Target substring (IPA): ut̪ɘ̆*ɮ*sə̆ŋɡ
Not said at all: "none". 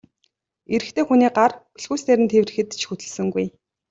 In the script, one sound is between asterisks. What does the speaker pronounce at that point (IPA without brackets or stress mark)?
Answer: ɮ